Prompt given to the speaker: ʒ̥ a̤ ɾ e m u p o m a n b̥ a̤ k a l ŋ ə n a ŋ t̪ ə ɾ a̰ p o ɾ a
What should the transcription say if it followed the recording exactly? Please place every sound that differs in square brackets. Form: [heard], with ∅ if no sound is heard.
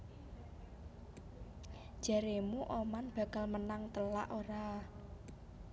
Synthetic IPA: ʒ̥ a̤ ɾ e m u [ʔ] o m a n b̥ a̤ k a l [m] ə n a ŋ t̪ ə [l] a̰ [ʔ] o ɾ a